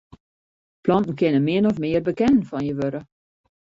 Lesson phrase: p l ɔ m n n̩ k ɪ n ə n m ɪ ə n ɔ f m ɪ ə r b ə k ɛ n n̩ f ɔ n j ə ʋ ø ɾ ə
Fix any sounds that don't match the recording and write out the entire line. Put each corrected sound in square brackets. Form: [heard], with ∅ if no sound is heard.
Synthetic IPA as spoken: p l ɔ [∅] n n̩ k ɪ n ə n m ɪ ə n ɔ f m ɪ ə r b ə k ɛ n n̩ f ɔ n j ə ʋ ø ɾ ə

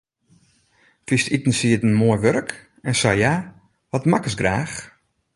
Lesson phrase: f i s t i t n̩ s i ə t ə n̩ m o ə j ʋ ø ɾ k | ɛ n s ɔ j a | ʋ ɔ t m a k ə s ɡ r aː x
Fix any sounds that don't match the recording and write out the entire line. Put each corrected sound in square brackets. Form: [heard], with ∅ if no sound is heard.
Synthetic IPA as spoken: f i s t i t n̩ s i ə t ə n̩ m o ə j ʋ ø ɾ k | ɛ n s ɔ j a | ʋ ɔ t m a k ə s ɡ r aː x

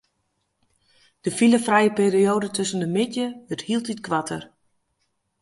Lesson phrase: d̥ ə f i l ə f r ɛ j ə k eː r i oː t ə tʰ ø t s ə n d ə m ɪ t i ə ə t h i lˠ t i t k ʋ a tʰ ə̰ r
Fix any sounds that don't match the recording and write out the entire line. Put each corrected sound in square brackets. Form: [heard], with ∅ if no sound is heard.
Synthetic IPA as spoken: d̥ ə f i l ə f r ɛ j ə [p] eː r i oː [d] ə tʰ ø [∅] s ə n d ə m ɪ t [j] ə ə t h i lˠ t i t k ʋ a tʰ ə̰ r

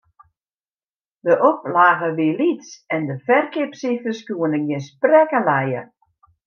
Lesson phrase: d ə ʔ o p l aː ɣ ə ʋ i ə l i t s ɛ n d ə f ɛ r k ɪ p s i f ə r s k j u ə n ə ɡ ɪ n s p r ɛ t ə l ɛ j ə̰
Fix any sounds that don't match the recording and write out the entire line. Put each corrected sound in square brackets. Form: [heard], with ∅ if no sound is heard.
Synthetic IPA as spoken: d ə ʔ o p l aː ɣ ə ʋ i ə l i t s ɛ n d ə f ɛ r k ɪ p s i f ə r s k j u ə n ə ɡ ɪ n s p r ɛ [k] ə l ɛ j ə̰

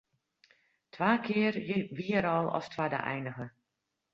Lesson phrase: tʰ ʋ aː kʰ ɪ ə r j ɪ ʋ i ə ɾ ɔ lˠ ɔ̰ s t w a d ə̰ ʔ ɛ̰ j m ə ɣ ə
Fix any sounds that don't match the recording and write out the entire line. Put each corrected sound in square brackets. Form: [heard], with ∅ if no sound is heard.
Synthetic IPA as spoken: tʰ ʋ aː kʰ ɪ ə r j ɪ ʋ i ə ɾ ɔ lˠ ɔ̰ s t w a d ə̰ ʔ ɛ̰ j [n] ə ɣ ə

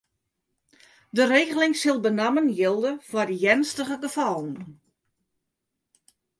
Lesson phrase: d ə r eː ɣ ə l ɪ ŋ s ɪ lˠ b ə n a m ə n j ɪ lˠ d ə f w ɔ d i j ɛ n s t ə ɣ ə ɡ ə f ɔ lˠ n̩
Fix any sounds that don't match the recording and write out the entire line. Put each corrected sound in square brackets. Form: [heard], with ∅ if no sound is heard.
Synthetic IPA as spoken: d ə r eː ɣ ə l ɪ ŋ s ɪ lˠ b ə n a m ə n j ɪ lˠ d ə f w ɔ d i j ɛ n s t ə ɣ ə ɡ ə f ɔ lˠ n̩

